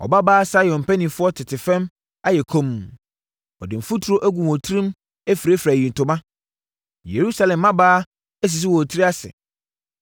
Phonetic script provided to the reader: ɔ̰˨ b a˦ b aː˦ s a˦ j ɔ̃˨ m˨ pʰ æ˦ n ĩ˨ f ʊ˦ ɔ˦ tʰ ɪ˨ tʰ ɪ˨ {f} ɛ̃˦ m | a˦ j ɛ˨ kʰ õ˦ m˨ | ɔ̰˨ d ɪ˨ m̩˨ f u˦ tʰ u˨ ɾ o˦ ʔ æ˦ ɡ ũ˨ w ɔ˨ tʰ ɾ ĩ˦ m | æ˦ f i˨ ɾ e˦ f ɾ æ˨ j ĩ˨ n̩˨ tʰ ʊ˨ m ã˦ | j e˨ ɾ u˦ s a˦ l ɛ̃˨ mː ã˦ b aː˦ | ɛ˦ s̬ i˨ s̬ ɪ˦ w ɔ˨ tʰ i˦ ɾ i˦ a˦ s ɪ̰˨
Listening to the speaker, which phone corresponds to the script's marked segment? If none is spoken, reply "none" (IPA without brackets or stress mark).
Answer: f